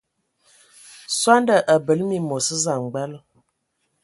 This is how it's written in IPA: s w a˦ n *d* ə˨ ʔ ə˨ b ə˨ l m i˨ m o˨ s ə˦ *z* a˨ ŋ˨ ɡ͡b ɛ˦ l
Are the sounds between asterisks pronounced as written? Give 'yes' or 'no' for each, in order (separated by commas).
yes, yes